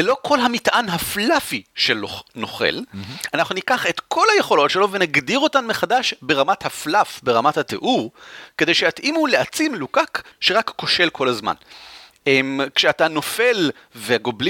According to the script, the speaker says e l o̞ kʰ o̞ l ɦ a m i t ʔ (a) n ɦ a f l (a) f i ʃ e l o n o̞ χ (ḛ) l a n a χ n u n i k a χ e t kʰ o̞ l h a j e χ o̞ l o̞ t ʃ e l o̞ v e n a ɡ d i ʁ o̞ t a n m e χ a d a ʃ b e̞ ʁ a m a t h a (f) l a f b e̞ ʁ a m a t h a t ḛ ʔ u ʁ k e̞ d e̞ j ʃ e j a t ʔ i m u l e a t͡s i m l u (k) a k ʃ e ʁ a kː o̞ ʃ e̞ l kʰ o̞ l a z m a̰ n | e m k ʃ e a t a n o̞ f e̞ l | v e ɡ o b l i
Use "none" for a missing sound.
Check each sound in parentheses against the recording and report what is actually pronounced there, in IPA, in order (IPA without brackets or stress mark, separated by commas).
a, a, ḛ, f, k